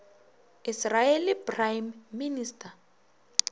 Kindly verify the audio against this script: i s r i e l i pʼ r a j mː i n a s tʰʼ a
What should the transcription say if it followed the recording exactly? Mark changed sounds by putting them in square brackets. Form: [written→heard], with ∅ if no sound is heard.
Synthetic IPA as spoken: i s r [i→a] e l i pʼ r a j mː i n [a→i] s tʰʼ a